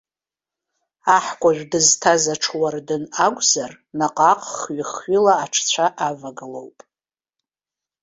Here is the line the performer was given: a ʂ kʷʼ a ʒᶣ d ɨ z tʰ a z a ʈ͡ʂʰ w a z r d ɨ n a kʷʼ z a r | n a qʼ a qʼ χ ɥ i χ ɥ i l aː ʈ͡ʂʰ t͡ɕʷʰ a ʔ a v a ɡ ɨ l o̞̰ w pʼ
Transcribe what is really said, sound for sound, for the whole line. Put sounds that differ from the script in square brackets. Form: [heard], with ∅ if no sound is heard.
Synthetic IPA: a [ħ] kʷʼ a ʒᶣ d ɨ z tʰ a z a ʈ͡ʂʰ w a [∅] r d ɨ n a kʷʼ z a r | n a qʼ a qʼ χ ɥ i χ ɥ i l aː ʈ͡ʂʰ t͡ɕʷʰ a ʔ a v a ɡ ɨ l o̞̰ w pʼ